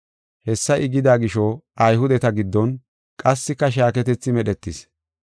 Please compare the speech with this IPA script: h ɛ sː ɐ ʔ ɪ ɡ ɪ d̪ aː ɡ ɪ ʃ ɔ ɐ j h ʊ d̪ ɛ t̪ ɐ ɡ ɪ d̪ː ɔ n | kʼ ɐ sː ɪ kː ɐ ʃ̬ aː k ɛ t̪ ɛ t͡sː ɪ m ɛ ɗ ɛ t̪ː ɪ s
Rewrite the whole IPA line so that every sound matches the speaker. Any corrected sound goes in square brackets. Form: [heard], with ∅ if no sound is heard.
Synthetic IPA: h ɛ sː ɐ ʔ ɪ ɡ ɪ d̪ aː ɡ ɪ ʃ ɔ ɐ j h ʊ d̪ ɛ t̪ ɐ ɡ ɪ d̪ː ɔ n | kʼ ɐ sː ɪ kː ɐ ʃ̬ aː k ɛ t̪ ɛ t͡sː ɪ m ɛ ɗ ɛ t̪ː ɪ s